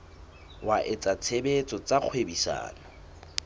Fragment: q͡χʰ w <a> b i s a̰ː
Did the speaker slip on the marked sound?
yes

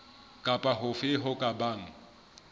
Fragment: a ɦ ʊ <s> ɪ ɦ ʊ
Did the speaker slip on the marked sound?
yes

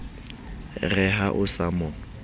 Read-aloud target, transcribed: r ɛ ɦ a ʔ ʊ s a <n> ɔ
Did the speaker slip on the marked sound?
yes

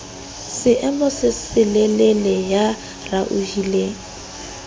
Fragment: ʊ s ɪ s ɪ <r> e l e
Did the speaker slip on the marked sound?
yes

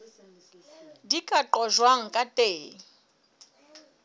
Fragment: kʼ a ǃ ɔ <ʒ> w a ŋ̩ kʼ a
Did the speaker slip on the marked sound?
no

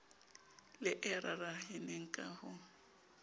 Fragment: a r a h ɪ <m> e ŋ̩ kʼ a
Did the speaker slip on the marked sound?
yes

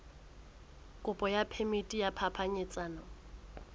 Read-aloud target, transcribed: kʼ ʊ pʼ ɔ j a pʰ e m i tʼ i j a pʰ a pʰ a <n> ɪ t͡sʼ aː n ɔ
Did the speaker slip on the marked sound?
yes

